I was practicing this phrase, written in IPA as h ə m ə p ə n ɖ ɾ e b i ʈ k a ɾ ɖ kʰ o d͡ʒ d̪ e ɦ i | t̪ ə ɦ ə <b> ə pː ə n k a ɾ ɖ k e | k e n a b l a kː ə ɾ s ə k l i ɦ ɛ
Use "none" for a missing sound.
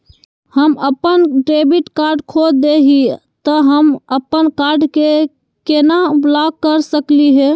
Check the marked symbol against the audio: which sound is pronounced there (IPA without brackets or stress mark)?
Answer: m